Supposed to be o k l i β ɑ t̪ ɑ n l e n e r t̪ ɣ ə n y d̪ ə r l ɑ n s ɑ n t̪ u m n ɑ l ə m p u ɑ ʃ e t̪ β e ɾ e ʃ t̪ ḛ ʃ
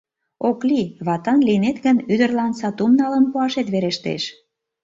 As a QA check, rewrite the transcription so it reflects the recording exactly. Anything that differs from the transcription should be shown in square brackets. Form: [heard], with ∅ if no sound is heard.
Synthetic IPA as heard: o k l i β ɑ t̪ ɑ n l [i] n e [∅] t̪ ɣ ə n y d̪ ə r l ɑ n s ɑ [∅] t̪ u m n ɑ l ə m p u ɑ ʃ e t̪ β e ɾ e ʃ t̪ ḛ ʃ